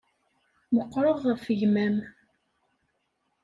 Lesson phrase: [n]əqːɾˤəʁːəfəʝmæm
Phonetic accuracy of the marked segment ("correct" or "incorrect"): incorrect